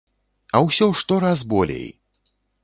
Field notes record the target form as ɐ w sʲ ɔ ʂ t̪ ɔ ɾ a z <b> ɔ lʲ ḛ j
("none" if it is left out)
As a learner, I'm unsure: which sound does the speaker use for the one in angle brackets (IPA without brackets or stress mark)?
b